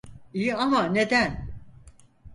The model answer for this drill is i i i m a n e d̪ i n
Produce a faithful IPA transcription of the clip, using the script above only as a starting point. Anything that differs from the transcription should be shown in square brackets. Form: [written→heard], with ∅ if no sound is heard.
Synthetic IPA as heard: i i [i→a] m a n e d̪ [i→æ] n

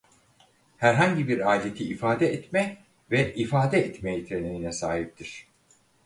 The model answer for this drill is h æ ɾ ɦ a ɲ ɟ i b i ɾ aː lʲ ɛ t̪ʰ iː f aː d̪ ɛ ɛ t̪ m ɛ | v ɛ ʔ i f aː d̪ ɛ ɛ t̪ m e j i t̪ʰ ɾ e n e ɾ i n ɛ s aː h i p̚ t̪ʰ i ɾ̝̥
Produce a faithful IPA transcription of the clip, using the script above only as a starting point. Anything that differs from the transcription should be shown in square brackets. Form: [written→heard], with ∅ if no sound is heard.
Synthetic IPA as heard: h æ ɾ ɦ a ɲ ɟ i b i ɾ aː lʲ [ɛ→e] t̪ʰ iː f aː d̪ ɛ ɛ t̪ m ɛ | v ɛ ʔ i f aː d̪ ɛ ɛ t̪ m e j i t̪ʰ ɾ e n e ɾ i n ɛ s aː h i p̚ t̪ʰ i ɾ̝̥

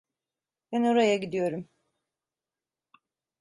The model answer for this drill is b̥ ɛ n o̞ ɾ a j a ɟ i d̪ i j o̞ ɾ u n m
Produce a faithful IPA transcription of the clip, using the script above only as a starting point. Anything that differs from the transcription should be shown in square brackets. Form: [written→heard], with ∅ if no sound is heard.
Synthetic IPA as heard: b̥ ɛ n o̞ ɾ a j a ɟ i d̪ i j o̞ ɾ u [n→∅] m

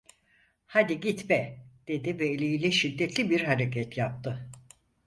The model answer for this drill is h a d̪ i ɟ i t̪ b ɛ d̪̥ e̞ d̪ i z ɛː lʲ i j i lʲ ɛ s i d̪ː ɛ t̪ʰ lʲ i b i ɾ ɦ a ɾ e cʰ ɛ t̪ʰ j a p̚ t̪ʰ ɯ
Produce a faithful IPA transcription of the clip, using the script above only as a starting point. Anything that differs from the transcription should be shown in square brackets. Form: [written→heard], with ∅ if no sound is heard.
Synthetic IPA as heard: h a d̪ i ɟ i t̪ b ɛ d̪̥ e̞ d̪ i [z→v] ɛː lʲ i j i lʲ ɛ [s→ʃ] i d̪ː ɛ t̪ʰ lʲ i b i ɾ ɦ a ɾ e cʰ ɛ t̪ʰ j a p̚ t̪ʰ ɯ

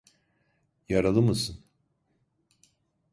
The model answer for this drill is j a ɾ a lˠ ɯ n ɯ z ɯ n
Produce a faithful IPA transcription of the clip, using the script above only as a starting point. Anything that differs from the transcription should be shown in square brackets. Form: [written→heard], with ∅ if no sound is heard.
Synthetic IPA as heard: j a ɾ a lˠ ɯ [n→m] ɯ [z→s] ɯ n

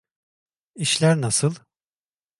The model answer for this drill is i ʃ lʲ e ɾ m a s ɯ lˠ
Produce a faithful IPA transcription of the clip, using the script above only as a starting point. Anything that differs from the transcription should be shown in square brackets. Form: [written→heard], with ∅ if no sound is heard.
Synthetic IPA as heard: i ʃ lʲ [e→æ] ɾ [m→n] a s ɯ lˠ

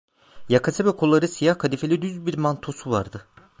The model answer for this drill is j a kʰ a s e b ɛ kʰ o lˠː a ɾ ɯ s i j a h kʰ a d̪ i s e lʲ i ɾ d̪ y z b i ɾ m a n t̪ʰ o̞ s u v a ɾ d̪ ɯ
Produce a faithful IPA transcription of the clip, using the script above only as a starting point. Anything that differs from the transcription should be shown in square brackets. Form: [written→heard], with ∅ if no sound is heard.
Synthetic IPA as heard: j a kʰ a s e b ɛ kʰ o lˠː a ɾ ɯ s i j a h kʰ a d̪ i [s→f] e lʲ i [ɾ→∅] d̪ y z b i ɾ m a n t̪ʰ o̞ s u v a ɾ d̪ ɯ

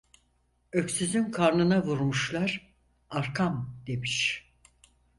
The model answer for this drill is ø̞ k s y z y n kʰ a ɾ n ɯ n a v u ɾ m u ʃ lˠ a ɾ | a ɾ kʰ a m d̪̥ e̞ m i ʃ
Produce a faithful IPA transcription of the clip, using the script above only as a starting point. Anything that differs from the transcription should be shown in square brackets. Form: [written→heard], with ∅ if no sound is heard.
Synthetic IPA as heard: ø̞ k s y z y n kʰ a ɾ n ɯ n a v u ɾ m u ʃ lˠ a ɾ | a ɾ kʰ a m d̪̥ e̞ m i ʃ

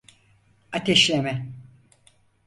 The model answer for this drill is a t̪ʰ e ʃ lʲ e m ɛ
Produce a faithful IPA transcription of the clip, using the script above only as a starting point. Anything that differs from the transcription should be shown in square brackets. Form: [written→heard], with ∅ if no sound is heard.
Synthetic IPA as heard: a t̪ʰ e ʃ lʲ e m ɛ

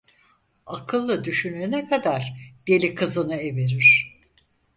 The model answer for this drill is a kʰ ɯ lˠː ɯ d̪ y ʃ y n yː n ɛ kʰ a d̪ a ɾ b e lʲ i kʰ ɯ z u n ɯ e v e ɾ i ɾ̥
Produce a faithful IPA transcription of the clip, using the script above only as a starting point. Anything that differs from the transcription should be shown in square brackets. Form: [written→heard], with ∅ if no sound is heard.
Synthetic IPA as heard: a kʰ ɯ lˠː ɯ d̪ y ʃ y n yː n ɛ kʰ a d̪ a ɾ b e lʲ i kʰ ɯ z [u→ɯ] n ɯ e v e ɾ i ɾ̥

